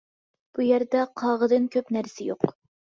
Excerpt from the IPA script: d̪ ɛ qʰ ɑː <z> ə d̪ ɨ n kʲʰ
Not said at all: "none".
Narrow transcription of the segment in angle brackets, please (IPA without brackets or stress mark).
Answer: ʁ